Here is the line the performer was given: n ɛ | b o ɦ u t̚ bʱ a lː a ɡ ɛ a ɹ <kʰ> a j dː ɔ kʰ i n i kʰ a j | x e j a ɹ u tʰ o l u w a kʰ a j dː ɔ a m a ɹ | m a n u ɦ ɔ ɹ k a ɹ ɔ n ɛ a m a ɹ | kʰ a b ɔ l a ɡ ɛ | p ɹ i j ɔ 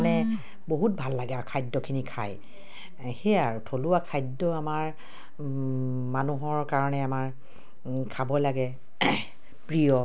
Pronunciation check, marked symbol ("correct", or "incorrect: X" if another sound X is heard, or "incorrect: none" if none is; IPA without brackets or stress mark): correct